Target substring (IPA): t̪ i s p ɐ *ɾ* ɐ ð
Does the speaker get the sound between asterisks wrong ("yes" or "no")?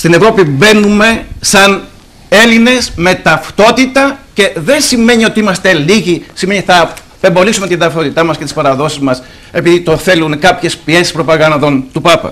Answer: no